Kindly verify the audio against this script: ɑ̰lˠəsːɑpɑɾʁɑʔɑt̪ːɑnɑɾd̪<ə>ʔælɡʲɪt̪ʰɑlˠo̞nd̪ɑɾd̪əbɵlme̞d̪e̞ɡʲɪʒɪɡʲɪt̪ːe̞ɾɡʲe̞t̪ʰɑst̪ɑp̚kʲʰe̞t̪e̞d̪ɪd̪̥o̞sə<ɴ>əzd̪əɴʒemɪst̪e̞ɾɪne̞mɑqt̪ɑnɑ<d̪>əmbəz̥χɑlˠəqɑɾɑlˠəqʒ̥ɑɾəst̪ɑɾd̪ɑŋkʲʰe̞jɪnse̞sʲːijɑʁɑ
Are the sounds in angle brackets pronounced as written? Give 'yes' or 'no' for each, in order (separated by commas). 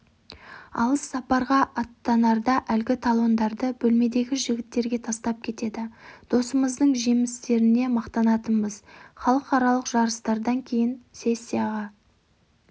no, no, no